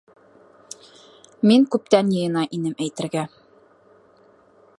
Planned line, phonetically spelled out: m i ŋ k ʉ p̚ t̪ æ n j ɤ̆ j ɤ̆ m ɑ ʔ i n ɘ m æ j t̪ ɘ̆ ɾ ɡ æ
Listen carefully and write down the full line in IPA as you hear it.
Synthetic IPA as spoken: m i ŋ k ʉ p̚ t̪ æ n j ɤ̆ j ɤ̆ n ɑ ʔ i n ɘ m æ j t̪ ɘ̆ ɾ ɡ æ